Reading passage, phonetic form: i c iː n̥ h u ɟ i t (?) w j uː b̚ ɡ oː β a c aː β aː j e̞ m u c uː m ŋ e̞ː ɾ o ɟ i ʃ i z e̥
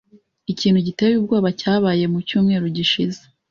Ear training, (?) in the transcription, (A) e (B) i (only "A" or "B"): A